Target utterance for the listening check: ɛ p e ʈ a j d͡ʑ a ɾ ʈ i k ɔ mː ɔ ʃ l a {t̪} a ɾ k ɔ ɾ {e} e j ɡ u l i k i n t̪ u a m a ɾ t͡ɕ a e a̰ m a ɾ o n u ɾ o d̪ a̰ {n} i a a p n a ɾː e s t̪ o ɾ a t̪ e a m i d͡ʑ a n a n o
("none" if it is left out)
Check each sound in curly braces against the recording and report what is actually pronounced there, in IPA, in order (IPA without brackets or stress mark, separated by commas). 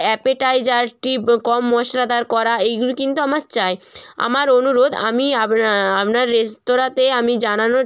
d̪, a, m